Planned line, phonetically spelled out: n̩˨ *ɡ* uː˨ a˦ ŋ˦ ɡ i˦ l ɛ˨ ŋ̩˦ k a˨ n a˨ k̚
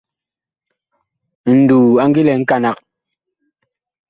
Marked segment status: incorrect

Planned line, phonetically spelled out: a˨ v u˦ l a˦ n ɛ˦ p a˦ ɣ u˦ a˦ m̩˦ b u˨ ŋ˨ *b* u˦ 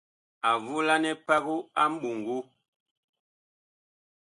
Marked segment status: incorrect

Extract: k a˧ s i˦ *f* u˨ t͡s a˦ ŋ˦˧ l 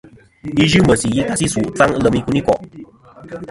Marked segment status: incorrect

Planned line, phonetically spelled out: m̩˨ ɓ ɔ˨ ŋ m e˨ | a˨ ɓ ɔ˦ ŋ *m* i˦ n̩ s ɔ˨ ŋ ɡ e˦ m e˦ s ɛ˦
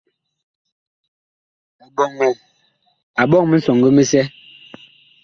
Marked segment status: correct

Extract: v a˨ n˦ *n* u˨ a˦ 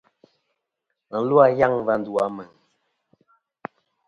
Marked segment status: incorrect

